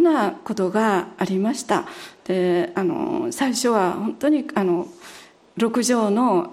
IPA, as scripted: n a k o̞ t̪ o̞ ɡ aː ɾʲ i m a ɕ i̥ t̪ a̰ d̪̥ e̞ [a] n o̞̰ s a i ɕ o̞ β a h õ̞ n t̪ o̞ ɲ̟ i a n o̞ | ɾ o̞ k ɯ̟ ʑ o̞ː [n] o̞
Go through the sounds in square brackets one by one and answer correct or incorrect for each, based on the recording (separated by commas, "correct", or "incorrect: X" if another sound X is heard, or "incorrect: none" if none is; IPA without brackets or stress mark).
correct, correct